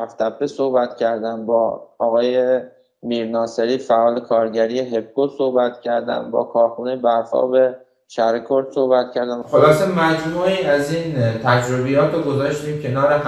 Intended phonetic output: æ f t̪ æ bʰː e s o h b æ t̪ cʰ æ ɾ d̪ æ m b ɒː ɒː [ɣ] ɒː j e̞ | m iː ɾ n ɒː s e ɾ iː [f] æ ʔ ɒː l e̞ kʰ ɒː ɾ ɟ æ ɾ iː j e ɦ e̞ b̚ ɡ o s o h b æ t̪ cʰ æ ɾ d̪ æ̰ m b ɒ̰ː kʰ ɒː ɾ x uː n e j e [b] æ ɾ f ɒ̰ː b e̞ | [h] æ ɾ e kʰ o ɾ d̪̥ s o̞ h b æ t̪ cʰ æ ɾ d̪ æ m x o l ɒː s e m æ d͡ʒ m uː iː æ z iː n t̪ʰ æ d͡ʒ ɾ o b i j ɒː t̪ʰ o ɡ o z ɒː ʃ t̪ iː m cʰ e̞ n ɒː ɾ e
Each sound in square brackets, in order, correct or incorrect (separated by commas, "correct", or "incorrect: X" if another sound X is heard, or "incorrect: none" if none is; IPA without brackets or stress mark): correct, correct, correct, incorrect: ʃ